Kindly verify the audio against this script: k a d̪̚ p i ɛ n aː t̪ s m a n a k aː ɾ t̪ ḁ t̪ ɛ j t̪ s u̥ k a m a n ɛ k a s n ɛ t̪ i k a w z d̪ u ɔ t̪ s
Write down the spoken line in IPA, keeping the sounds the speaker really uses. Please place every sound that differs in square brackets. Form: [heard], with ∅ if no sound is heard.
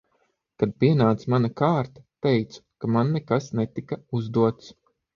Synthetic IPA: k a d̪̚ p i ɛ n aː t̪ s m a n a k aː ɾ t̪ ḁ t̪ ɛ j t̪ s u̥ k a m a [nː] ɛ k a s n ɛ t̪ i k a [u] z d̪ u ɔ t̪ s